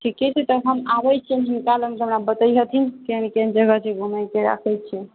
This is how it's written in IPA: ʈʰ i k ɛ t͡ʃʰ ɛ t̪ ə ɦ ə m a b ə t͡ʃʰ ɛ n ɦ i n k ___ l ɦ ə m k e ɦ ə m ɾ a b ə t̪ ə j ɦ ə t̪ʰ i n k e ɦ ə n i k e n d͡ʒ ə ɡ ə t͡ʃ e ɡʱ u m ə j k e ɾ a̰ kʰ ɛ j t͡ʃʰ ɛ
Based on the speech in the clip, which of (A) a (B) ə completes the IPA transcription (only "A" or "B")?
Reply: A